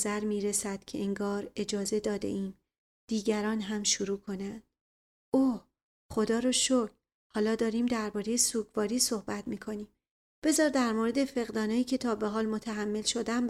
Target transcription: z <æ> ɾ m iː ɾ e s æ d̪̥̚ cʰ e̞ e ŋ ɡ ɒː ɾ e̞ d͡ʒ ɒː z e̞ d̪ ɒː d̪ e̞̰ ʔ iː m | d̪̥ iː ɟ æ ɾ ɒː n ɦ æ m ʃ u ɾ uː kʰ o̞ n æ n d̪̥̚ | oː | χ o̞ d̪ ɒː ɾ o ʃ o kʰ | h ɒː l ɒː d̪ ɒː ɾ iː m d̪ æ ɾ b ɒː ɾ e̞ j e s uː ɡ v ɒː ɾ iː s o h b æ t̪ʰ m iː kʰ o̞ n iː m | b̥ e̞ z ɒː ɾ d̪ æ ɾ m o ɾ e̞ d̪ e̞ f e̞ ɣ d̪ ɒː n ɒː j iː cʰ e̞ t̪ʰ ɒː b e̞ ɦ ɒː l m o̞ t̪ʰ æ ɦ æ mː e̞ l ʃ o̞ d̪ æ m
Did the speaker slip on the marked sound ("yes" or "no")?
no